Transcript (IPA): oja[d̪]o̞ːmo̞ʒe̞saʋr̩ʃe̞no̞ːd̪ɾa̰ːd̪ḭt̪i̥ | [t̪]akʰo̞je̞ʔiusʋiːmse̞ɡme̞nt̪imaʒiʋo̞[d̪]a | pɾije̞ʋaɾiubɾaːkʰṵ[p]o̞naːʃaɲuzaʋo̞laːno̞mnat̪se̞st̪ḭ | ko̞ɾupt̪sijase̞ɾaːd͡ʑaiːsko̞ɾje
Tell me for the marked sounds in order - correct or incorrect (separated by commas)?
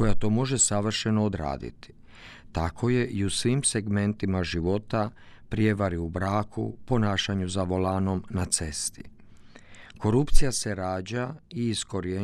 incorrect, correct, incorrect, correct